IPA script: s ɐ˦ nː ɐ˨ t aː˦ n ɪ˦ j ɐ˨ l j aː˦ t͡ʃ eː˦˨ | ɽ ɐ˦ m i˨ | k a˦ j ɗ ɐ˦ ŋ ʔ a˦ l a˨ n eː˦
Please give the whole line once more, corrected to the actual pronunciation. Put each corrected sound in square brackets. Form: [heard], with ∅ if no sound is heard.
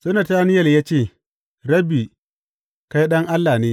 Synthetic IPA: s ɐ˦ [n] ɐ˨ t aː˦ n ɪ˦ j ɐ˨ l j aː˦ t͡ʃ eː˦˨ | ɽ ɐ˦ [b] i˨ | k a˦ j ɗ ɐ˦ ŋ ʔ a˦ [lː] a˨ n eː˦